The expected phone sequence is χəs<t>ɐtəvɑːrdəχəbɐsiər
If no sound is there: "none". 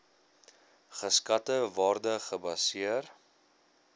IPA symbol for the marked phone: k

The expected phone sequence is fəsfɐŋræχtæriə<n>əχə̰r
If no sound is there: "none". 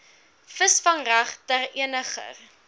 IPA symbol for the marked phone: n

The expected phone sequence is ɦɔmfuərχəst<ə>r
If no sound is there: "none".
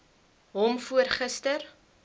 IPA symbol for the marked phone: ə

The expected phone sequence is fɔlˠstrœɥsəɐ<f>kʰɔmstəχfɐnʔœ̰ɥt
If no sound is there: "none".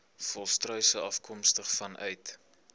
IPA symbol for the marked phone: f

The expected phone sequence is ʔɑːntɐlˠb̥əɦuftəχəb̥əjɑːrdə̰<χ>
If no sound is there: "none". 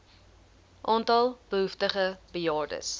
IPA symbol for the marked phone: s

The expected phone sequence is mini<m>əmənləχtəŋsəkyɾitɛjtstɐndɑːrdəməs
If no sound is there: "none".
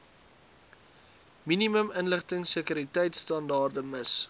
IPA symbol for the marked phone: m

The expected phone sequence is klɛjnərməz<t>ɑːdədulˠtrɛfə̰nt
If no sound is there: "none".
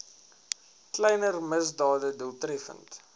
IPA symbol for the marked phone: d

